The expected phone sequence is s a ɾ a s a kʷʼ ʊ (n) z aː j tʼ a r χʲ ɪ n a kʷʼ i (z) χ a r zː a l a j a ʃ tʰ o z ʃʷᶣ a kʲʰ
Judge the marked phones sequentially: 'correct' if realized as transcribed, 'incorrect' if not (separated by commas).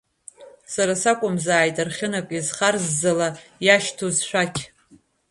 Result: incorrect, correct